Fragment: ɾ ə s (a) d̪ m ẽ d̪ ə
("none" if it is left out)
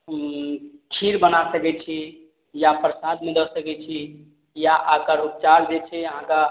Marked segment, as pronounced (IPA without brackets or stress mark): a